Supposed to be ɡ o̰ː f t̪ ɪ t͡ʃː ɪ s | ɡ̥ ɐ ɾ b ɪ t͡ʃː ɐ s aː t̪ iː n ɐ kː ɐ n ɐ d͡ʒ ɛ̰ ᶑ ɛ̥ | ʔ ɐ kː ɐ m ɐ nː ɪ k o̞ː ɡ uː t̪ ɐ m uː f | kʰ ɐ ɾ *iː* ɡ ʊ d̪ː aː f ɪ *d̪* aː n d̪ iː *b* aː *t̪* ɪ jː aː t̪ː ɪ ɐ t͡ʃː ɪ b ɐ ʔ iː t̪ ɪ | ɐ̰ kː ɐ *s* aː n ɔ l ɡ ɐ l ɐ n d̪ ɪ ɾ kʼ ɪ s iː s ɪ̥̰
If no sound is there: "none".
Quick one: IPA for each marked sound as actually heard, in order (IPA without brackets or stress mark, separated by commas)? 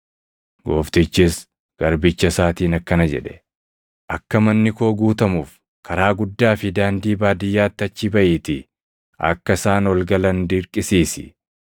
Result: aː, d̪, b, d̪, s